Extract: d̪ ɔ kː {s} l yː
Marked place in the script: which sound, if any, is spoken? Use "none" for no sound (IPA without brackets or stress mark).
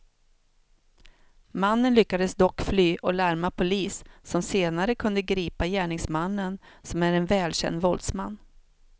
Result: f